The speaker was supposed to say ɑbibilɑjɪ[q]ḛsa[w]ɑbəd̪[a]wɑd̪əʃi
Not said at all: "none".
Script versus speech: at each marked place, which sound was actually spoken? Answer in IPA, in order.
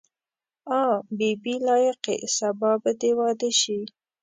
q, b, e

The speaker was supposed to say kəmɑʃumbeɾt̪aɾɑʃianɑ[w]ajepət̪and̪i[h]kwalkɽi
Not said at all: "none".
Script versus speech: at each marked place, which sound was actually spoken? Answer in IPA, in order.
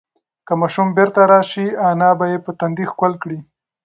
b, x

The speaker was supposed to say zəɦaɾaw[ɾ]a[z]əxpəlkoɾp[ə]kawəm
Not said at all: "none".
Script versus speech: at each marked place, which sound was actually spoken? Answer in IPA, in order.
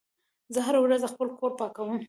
ɾ, z, ɑ

